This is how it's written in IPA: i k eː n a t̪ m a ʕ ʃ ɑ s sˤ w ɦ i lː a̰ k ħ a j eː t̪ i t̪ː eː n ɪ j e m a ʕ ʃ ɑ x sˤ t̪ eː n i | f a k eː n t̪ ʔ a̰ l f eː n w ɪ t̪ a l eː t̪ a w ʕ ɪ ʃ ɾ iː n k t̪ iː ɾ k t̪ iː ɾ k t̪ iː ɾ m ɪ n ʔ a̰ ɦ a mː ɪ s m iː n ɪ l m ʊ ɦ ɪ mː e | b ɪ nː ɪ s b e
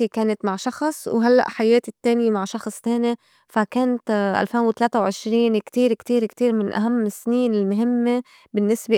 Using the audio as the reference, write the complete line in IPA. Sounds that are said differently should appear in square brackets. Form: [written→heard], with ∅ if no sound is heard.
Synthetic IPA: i k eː n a t̪ m a ʕ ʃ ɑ [s→x] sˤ w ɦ [i→a] lː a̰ [k→ʔ] ħ a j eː t̪ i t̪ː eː n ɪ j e m a ʕ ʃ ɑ x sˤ t̪ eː n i | f a k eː n t̪ ʔ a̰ l f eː n w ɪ t̪ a l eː t̪ a w ʕ ɪ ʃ ɾ iː n k t̪ iː ɾ k t̪ iː ɾ k t̪ iː ɾ m ɪ n ʔ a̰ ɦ a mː ɪ s [m→n] iː n ɪ l m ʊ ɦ ɪ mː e | b ɪ nː ɪ s b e